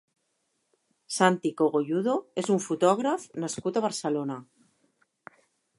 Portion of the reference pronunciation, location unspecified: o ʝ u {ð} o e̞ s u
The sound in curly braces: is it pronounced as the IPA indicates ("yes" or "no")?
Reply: yes